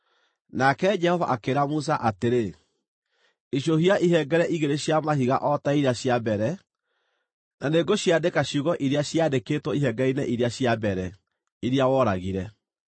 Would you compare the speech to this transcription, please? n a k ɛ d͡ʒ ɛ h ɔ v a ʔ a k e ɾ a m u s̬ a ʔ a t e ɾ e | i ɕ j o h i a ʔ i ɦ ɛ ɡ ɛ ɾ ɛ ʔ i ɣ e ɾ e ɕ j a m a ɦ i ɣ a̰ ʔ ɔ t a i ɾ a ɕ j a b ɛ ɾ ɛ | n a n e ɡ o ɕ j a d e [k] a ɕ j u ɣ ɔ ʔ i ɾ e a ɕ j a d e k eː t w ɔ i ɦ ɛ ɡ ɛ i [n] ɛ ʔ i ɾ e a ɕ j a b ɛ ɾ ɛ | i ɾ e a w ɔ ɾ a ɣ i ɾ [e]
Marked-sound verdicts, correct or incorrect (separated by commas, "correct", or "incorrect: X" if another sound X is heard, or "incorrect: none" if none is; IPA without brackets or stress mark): correct, correct, incorrect: ɛ